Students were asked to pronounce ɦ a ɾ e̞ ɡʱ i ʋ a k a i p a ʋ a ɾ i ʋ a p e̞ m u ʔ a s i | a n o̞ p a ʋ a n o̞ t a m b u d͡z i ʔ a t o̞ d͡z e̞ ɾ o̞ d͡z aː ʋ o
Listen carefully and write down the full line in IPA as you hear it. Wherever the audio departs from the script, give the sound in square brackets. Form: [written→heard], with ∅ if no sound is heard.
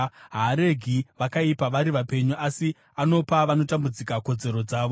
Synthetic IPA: ɦ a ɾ e̞ ɡʱ i ʋ a k a i p a ʋ a ɾ i ʋ a p e̞ [m→ɲ] u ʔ a s i | a n o̞ p a ʋ a n o̞ t a m b u d͡z i [ʔ→k] a [t→k] o̞ d͡z e̞ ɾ o̞ d͡z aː ʋ o